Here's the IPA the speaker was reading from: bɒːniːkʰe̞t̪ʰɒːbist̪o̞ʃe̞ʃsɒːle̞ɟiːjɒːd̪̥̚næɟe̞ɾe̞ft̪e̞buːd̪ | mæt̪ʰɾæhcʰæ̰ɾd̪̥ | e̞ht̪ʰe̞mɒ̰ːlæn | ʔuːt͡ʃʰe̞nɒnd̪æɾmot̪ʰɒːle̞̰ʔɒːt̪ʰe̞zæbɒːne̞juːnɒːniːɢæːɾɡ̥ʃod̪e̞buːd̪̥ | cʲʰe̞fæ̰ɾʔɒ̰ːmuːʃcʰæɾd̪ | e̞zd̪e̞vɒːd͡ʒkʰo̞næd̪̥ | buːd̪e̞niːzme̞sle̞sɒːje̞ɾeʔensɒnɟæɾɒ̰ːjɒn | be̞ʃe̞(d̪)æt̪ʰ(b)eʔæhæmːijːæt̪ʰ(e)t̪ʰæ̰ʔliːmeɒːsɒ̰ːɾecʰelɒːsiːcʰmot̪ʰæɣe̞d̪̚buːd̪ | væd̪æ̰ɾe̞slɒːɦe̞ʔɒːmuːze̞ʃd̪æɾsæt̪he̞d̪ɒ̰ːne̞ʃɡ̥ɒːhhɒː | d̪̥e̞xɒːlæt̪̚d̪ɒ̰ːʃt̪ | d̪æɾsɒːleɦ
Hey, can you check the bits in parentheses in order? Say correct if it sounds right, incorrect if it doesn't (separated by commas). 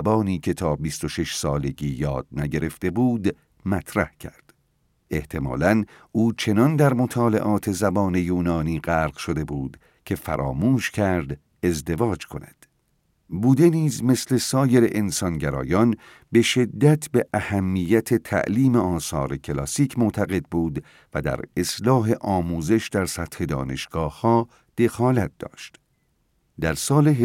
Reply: incorrect, correct, correct